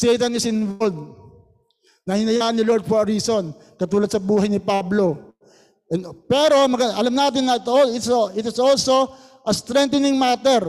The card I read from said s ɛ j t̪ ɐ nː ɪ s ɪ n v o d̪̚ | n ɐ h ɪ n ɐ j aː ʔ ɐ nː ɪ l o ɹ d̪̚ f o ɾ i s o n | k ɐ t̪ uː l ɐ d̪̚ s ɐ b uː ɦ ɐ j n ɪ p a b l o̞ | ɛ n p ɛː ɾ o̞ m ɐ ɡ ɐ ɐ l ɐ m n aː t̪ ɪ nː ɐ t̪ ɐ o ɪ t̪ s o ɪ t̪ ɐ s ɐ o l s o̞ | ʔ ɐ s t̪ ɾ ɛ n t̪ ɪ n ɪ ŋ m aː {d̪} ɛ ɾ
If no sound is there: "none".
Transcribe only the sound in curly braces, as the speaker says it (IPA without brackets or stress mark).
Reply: t̪